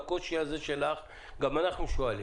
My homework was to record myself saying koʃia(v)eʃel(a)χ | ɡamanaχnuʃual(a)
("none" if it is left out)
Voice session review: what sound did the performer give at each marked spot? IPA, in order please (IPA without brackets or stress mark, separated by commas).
z, a, i